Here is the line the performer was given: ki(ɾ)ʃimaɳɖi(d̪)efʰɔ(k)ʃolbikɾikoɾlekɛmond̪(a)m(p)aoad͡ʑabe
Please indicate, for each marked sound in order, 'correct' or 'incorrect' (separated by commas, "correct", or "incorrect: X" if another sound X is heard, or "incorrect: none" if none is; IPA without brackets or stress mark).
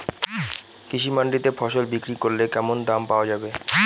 incorrect: none, incorrect: t̪, incorrect: none, correct, correct